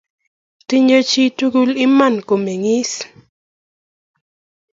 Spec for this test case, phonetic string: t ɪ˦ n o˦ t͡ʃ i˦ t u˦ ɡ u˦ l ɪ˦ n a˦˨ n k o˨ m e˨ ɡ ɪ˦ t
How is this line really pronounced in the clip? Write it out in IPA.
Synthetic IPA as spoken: t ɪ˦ ɲ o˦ t͡ʃ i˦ t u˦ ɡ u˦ l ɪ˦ m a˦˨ n k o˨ m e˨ ŋ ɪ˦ s